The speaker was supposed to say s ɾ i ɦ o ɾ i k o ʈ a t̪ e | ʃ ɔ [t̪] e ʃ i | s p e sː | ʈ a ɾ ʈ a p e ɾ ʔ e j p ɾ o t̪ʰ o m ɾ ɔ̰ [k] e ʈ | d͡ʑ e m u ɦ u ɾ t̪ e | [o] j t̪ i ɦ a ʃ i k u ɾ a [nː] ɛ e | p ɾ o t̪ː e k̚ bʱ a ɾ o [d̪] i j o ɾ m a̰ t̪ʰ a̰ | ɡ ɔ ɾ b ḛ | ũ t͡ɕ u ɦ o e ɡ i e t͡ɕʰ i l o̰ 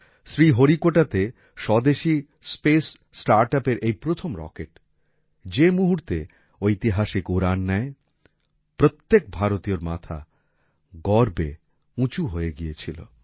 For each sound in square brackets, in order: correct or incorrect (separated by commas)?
incorrect, correct, correct, correct, incorrect